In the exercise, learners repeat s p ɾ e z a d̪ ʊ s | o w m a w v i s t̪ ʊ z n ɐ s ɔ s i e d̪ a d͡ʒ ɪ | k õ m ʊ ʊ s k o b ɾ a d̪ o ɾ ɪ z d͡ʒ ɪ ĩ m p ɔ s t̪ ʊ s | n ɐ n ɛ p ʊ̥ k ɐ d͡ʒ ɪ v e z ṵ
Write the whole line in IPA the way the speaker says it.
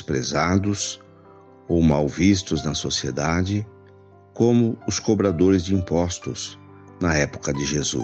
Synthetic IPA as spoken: s p ɾ e z a d̪ ʊ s | o w m a w v i s t̪ ʊ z n ɐ s o s i e d̪ a d͡ʒ ɪ | k õ m ʊ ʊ s k o b ɾ a d̪ o ɾ ɪ z d͡ʒ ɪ ĩ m p ɔ s t̪ ʊ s | n ɐ ɛ p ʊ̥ k ɐ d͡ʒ ɪ ʒ e z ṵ